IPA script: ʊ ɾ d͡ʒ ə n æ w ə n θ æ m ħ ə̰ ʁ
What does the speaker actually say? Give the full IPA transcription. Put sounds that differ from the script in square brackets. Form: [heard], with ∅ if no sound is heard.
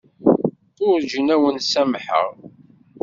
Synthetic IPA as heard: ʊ ɾ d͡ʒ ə n æ w ə n [s] æ m ħ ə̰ ʁ